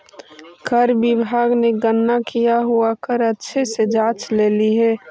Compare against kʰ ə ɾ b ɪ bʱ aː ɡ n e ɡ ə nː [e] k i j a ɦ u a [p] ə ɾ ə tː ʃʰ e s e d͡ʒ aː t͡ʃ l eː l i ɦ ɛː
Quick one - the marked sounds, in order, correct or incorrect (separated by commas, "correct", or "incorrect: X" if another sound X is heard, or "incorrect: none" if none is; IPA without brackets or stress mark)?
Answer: incorrect: a, incorrect: k